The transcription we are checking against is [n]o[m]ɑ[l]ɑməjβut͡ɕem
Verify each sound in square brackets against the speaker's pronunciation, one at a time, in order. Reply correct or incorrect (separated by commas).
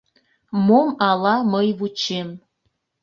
incorrect, correct, correct